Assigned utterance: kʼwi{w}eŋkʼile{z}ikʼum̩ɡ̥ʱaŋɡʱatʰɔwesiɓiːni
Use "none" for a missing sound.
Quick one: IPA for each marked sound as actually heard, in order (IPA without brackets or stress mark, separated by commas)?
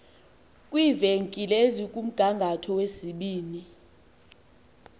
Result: v, z